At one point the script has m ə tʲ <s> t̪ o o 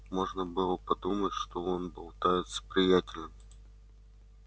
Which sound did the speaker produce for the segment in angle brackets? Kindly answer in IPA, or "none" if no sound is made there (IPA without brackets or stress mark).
ʂ